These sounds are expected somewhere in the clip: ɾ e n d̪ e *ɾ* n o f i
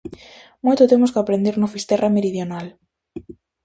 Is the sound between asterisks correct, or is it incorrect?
correct